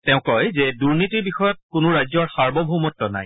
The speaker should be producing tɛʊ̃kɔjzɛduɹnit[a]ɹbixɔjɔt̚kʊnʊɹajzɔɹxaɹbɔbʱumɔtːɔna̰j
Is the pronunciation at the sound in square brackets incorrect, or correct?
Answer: incorrect